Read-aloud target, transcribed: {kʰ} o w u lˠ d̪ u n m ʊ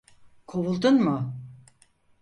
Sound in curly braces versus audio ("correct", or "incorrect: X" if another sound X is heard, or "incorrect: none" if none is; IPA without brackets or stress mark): correct